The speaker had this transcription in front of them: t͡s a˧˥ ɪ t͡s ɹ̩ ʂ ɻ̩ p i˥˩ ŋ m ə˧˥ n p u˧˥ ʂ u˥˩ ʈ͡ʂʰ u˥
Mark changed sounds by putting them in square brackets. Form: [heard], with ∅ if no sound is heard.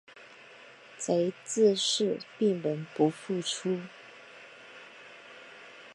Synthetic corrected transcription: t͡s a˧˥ ɪ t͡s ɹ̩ ʂ ɻ̩ p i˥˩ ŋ m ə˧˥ n p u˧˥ [f] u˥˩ ʈ͡ʂʰ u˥